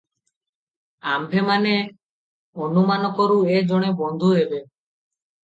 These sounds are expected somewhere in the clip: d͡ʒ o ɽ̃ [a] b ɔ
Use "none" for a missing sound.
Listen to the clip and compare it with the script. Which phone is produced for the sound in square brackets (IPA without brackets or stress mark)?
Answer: e